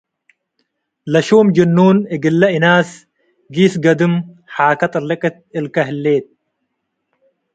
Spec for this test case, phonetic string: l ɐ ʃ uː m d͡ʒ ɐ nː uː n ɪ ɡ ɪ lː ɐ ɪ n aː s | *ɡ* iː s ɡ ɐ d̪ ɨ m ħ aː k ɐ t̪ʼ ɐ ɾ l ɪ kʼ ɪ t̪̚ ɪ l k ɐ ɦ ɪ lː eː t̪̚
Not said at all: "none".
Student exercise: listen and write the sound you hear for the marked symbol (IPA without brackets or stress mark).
ɡ